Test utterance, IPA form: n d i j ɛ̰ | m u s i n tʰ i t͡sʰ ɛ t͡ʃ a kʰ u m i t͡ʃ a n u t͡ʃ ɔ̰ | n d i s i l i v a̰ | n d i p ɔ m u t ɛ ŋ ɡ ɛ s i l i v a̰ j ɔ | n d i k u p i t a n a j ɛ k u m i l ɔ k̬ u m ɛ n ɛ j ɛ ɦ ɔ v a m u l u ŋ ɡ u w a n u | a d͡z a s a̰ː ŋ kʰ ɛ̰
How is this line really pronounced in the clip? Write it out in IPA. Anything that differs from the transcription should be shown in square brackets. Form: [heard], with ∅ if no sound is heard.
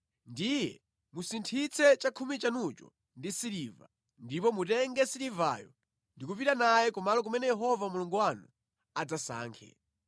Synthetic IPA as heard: n d i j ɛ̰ | m u s i n tʰ i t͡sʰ ɛ t͡ʃ a kʰ u m i t͡ʃ a n u t͡ʃ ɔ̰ | n d i s i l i v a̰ | n d i p ɔ m u t ɛ ŋ ɡ ɛ s i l i v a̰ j ɔ | n d i k u p i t a n a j ɛ k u m [a] l ɔ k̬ u m ɛ n ɛ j ɛ ɦ ɔ v a m u l u ŋ ɡ u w a n u | a d͡z a s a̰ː ŋ kʰ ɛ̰